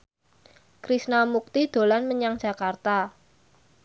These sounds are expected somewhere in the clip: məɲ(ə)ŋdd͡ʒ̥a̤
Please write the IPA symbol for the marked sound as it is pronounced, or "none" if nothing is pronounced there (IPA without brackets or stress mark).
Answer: a